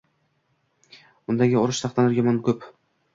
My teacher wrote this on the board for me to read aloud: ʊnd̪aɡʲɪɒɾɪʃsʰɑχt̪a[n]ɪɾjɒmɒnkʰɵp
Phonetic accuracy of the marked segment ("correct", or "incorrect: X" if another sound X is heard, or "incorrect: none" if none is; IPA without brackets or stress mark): correct